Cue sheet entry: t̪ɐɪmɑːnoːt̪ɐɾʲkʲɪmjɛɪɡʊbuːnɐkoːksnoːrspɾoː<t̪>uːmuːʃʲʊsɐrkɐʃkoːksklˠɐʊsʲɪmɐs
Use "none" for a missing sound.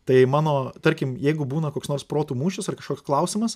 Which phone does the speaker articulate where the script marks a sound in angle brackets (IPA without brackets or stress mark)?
t̪